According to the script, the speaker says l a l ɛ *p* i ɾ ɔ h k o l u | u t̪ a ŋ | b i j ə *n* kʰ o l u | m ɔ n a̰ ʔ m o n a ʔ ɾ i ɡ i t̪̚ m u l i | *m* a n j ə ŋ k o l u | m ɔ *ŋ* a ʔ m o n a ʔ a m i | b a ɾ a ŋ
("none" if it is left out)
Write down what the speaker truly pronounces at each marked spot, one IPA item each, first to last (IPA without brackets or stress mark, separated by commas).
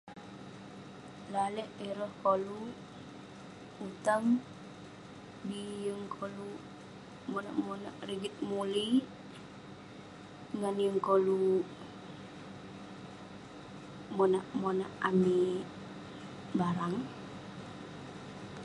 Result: ʔ, ŋ, ŋ, n